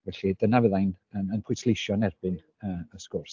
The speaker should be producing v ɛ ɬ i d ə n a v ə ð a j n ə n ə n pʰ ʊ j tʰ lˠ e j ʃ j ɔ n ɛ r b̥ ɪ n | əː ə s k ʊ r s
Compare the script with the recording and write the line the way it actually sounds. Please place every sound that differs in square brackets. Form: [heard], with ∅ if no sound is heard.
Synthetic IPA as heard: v ɛ ɬ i d ə n a v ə ð a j n ə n ə n pʰ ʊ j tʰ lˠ e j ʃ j ɔ n ɛ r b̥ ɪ n | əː ə s k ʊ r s